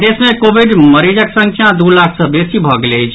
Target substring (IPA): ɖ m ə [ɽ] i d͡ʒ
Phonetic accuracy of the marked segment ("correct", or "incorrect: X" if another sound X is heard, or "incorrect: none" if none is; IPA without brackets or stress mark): incorrect: ɾ